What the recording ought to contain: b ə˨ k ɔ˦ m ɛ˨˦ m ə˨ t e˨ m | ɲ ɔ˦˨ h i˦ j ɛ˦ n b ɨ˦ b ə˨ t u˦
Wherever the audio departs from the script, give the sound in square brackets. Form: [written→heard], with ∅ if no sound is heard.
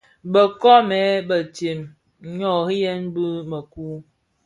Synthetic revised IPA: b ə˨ k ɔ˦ m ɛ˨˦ [m→b] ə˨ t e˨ m | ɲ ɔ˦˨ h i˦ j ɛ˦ n b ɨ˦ [b→m] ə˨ [t→k] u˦